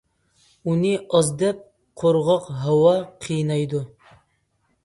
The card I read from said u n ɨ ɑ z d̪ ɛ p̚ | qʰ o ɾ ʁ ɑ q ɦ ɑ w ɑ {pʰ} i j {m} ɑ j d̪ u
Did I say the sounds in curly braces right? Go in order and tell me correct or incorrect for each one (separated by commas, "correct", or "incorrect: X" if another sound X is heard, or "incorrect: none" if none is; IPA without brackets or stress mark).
incorrect: qʰ, incorrect: n